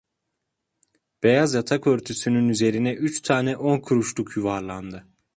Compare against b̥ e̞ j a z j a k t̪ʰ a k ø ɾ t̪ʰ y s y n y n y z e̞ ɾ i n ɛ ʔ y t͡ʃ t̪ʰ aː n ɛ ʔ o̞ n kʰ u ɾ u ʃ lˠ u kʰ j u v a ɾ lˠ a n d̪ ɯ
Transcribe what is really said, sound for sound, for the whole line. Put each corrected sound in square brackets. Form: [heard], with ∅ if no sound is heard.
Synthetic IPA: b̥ e̞ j a z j a [∅] t̪ʰ a k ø ɾ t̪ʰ y s y n y n y z e̞ ɾ i n ɛ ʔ y t͡ʃ t̪ʰ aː n ɛ ʔ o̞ n kʰ u ɾ u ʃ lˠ u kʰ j u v a ɾ lˠ a n d̪ ɯ

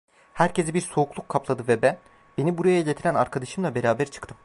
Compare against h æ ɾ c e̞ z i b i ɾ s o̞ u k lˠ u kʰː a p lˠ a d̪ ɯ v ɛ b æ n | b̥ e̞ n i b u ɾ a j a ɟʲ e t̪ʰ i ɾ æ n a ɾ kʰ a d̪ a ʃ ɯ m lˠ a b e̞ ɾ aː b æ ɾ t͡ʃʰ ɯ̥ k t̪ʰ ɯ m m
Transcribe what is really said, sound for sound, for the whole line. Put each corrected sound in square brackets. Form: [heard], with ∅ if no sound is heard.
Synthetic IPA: h æ ɾ c e̞ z i b i ɾ s o̞ u k lˠ u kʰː a p lˠ a d̪ ɯ v ɛ b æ n | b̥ e̞ n i b u ɾ a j a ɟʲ e t̪ʰ i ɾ æ n a ɾ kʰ a d̪ a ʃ ɯ m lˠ a b e̞ ɾ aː b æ ɾ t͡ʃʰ ɯ̥ k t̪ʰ ɯ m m

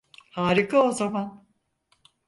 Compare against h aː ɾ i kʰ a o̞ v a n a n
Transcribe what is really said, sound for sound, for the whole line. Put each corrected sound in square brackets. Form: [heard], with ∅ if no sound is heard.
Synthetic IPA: h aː ɾ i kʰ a o̞ [z] a [m] a n

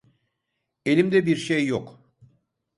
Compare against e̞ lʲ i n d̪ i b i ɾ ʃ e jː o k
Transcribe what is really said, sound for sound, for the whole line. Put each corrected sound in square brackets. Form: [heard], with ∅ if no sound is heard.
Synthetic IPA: e̞ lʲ i [m] d̪ [ɛ] b i ɾ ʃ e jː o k

